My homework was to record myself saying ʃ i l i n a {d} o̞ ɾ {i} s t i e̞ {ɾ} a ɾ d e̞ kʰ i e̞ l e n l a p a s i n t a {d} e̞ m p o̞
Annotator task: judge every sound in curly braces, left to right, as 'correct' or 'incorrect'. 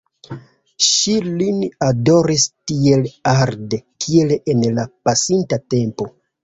correct, correct, incorrect, incorrect

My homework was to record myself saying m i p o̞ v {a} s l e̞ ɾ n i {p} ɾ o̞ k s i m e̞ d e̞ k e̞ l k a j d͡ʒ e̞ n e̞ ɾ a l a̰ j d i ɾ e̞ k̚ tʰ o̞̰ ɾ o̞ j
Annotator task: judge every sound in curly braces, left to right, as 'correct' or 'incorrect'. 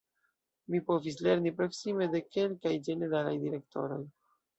incorrect, correct

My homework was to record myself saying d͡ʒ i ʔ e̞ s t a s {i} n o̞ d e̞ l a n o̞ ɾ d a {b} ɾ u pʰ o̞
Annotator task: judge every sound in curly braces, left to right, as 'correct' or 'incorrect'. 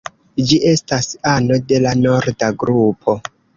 incorrect, incorrect

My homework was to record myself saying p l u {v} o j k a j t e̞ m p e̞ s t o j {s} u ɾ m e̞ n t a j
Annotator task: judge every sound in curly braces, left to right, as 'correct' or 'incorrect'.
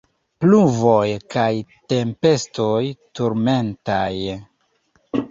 correct, incorrect

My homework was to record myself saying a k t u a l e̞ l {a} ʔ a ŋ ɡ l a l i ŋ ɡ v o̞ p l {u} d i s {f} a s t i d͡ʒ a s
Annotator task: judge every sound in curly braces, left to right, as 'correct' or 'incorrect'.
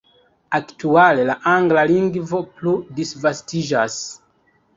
correct, correct, incorrect

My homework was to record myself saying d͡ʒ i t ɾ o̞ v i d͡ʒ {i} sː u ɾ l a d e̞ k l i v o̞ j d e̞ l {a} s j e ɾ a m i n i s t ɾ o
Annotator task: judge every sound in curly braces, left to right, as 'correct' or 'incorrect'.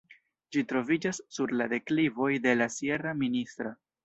incorrect, correct

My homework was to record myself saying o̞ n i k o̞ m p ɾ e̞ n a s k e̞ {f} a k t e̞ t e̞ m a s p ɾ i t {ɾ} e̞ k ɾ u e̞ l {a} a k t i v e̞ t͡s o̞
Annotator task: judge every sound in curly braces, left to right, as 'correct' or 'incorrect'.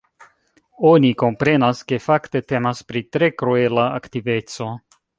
correct, correct, correct

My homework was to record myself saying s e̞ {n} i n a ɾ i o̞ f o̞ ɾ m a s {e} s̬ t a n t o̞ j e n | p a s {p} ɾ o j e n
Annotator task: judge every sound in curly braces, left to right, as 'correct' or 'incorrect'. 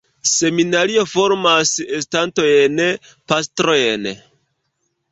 incorrect, correct, incorrect

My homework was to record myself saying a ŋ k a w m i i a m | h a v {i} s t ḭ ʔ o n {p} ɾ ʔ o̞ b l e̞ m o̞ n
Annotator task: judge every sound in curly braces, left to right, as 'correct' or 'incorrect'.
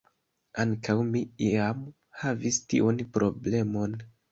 correct, correct

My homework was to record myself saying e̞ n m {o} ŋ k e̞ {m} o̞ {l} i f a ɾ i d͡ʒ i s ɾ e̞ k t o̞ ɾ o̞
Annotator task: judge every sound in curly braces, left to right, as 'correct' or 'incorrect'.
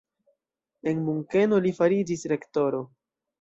incorrect, incorrect, correct

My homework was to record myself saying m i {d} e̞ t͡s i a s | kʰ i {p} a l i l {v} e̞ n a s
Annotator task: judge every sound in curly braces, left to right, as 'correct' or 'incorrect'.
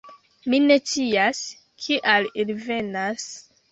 incorrect, incorrect, correct

